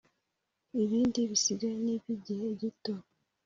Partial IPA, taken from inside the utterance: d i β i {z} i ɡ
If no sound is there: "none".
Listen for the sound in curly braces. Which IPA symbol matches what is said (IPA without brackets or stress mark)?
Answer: s